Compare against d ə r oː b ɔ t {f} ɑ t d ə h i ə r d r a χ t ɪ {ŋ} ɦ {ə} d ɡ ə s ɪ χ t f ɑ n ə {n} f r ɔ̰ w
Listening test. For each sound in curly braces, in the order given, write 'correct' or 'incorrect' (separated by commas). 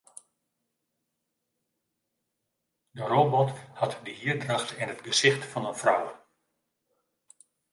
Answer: incorrect, incorrect, correct, correct